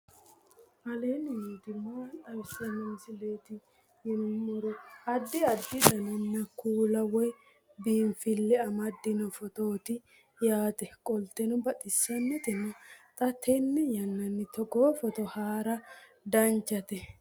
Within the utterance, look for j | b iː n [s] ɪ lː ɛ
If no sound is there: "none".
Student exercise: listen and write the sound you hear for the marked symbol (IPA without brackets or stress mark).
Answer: f